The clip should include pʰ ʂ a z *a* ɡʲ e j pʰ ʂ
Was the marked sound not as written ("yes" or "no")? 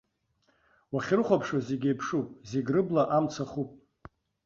yes